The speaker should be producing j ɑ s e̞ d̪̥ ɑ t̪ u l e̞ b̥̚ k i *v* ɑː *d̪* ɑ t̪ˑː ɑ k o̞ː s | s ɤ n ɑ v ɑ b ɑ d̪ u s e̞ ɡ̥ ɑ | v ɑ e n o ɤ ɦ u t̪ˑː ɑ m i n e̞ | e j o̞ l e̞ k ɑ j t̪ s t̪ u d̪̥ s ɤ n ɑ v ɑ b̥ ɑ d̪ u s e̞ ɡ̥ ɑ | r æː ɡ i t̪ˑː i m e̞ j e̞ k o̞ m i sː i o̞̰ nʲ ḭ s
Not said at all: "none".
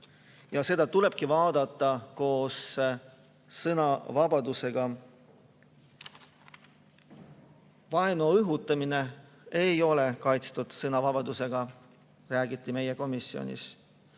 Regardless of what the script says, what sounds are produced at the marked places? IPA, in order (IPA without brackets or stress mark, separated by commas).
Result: v, d̪